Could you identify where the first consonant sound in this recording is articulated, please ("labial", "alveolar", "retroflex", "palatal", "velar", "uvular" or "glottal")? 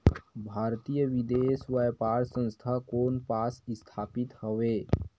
labial